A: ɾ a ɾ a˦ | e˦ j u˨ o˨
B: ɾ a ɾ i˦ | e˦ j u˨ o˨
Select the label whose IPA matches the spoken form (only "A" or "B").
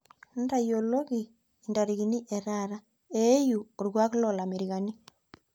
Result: A